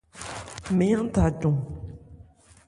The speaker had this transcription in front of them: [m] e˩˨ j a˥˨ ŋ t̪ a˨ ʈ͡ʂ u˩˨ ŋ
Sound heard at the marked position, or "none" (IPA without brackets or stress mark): m